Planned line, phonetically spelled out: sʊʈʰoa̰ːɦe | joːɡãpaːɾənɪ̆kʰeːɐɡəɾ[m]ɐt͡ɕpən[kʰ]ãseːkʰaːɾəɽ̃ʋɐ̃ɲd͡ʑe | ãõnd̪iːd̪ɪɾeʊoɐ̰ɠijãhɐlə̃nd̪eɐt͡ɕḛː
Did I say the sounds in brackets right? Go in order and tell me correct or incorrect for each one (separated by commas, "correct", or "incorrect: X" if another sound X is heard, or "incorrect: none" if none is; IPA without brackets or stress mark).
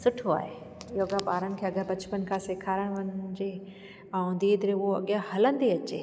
incorrect: b, correct